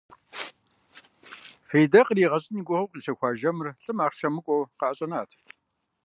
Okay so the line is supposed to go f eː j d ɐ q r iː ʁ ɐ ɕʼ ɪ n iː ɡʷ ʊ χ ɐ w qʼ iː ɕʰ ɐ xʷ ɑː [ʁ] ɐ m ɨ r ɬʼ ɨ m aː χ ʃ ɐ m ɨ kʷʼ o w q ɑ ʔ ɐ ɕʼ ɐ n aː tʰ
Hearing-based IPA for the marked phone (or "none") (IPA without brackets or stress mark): ʒ